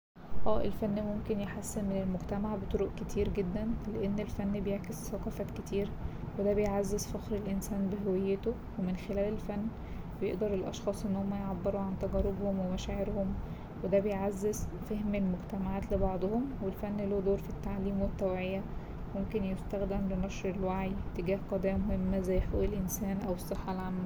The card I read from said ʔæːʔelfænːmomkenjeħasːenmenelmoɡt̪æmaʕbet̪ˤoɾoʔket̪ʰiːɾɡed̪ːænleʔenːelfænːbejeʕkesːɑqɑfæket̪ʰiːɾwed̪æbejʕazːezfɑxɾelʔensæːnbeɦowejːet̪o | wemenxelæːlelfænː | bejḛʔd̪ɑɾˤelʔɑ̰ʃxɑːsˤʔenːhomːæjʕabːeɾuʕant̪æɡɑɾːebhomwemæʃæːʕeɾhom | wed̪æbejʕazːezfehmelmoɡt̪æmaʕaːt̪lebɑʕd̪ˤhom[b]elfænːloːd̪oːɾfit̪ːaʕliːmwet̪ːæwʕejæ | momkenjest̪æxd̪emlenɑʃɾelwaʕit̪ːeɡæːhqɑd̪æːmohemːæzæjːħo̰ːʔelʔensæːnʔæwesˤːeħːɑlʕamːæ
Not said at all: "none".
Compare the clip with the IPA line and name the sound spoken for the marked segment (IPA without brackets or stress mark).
w